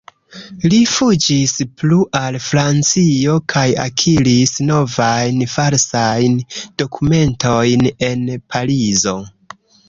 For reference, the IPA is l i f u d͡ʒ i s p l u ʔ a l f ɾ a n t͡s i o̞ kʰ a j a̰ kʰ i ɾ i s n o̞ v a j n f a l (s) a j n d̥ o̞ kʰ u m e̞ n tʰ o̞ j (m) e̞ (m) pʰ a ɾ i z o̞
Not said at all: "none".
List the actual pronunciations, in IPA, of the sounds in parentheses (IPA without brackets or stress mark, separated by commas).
s, n, n